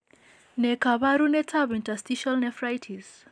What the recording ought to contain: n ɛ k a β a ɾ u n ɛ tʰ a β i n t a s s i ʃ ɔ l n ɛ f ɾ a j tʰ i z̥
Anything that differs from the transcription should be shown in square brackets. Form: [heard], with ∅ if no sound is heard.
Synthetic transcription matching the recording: n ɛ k a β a ɾ u n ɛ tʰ a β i n t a s [t] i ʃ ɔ l n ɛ f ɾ a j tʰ i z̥